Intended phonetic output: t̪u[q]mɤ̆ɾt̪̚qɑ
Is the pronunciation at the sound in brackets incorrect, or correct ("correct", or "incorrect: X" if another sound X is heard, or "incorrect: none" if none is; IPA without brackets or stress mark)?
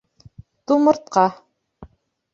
incorrect: none